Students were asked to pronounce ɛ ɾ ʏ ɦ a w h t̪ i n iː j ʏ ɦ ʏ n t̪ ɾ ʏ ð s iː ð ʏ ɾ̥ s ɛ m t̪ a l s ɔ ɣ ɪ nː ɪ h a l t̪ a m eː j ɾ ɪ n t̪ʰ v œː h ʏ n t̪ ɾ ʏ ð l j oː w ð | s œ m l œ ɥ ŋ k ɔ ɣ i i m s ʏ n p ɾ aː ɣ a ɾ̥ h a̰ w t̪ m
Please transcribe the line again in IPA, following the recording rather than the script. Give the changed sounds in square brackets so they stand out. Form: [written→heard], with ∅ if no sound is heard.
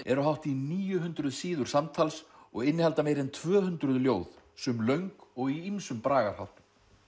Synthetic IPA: ɛ ɾ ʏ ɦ a w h t̪ i n iː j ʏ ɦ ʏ n t̪ ɾ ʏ ð s iː ð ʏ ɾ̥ s [ɛ→a] m [t̪→t̪ʰ] a l s ɔ ɣ ɪ nː ɪ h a l t̪ a m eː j ɾ ɪ n t̪ʰ v œː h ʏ n t̪ ɾ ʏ ð l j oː w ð | s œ m l œ ɥ ŋ k ɔ ɣ i i m s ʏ [n→m] p ɾ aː ɣ a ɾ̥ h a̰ w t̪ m

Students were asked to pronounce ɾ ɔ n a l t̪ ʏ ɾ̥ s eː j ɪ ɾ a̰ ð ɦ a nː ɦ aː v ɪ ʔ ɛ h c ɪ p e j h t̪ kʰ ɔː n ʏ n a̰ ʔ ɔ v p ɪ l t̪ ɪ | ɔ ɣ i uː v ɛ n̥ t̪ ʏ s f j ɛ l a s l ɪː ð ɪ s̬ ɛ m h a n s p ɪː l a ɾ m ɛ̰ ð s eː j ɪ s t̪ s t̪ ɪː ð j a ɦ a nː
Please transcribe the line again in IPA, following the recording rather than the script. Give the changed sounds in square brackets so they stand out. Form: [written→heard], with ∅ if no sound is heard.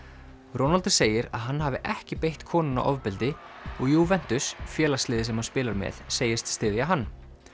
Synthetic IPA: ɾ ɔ n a l t̪ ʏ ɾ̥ s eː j ɪ ɾ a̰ ð ɦ a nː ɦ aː v ɪ ʔ ɛ h c ɪ p e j h t̪ kʰ ɔː n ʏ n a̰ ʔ ɔ v p ɪ l t̪ ɪ | ɔ ɣ [i→j] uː v ɛ n̥ t̪ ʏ s f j [ɛ→ɛː] l a s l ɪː ð ɪ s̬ ɛ m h a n s p ɪː l a ɾ m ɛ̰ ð s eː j ɪ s t̪ s t̪ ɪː ð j a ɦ a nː

